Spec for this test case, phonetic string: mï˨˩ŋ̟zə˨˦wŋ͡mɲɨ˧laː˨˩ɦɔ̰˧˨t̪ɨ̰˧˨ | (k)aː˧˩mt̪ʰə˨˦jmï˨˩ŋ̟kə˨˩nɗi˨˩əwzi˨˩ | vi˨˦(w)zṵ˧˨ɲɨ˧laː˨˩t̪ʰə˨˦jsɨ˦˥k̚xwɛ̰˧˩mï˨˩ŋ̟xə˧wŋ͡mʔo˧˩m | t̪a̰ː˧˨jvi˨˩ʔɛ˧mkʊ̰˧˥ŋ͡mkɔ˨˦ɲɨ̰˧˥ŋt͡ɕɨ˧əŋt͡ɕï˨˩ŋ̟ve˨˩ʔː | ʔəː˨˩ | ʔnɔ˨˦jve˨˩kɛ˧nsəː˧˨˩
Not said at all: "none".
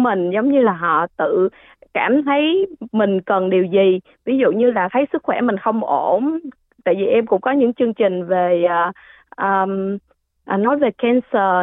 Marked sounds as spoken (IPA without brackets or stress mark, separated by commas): k, none